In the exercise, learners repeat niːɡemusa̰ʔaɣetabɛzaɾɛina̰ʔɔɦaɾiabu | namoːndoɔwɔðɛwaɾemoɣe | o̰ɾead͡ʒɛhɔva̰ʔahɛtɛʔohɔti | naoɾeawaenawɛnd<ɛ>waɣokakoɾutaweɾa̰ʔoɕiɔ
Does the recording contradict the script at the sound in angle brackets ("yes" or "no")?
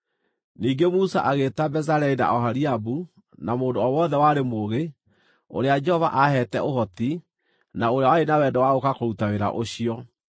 no